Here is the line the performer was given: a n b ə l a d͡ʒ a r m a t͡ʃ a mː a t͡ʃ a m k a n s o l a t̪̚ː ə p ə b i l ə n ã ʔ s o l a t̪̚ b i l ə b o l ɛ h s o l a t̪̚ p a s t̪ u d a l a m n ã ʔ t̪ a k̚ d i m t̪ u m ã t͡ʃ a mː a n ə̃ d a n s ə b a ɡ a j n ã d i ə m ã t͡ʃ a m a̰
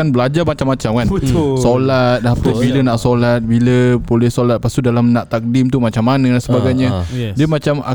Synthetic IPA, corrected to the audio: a n b ə l a d͡ʒ a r m a t͡ʃ a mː a t͡ʃ a m k a n s o l a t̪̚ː a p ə b i l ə n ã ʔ s o l a t̪̚ b i l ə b o l ɛ h s o l a t̪̚ p a s t̪ u d a l a m n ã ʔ t̪ a k̚ d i m t̪ u m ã t͡ʃ a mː a n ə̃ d a n s ə b a ɡ a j ɲ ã d i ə m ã t͡ʃ a m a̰